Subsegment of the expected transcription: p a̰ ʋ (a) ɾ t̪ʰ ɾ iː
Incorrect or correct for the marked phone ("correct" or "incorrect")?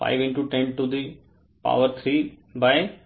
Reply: incorrect